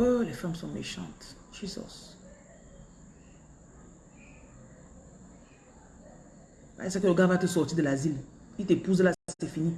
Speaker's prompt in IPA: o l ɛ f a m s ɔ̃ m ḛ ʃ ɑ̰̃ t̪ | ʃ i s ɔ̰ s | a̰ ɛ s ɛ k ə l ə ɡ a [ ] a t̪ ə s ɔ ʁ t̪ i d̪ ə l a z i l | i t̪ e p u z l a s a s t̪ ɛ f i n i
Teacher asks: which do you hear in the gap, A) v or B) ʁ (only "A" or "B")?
A